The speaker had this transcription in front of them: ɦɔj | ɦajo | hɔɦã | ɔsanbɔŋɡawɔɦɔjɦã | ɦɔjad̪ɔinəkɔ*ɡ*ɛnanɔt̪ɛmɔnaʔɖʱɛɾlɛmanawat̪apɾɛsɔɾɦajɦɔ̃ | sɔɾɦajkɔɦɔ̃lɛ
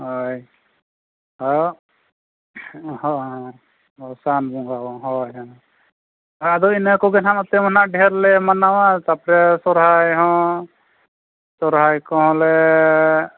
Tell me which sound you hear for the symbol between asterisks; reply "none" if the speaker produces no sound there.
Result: ɡ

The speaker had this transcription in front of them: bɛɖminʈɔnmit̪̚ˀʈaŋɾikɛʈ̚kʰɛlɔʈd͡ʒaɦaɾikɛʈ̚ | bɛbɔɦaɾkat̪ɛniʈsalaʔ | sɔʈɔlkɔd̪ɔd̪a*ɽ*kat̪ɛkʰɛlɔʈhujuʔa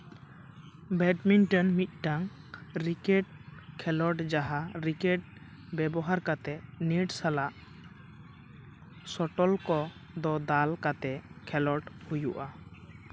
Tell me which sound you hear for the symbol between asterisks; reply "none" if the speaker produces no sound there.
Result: l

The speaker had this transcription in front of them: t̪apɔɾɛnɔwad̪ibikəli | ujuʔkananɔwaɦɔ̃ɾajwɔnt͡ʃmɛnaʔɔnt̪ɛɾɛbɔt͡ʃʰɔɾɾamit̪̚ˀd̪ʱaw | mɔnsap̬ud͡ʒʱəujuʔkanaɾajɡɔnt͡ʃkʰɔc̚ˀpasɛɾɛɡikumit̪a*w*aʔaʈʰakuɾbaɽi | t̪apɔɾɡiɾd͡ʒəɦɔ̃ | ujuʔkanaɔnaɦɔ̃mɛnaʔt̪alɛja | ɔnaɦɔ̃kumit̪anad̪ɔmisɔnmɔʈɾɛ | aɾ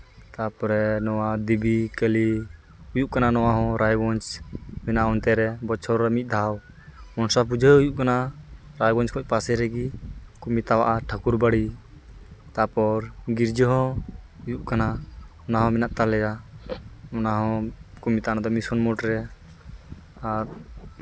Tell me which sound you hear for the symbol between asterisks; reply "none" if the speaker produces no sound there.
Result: w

